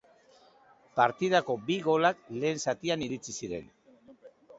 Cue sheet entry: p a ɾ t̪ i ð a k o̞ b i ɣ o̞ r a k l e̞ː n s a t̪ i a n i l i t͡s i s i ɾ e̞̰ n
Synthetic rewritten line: p a ɾ t̪ i ð a k o̞ b i ɣ o̞ l a k l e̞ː n s a t̪ i a n i ɾ i t͡s i s i ɾ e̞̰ n